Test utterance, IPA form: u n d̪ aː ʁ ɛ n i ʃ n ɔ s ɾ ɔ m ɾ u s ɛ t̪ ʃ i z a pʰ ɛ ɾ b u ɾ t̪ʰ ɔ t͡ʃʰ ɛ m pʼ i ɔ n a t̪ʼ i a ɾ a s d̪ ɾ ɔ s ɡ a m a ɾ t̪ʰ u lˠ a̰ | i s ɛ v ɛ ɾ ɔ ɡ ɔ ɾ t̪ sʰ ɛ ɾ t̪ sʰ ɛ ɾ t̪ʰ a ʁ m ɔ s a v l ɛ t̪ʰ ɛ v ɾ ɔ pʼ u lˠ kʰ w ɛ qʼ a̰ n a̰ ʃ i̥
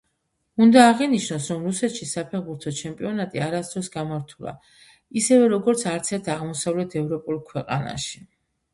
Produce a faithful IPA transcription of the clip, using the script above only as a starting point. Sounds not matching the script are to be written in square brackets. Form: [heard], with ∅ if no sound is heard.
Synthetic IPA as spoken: u n d̪ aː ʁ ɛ n i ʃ n ɔ s ɾ ɔ m ɾ u s ɛ t̪ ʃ i [s] a pʰ ɛ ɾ b u ɾ t̪ʰ ɔ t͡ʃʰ ɛ m pʼ i ɔ n a t̪ʼ i a ɾ a s d̪ ɾ ɔ s ɡ a m a ɾ t̪ʰ u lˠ a̰ | i s ɛ v ɛ ɾ ɔ ɡ ɔ ɾ t̪ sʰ [a] ɾ t̪ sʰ ɛ ɾ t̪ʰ a ʁ m ɔ s a v l ɛ t̪ʰ ɛ v ɾ ɔ pʼ u lˠ kʰ w ɛ qʼ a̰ n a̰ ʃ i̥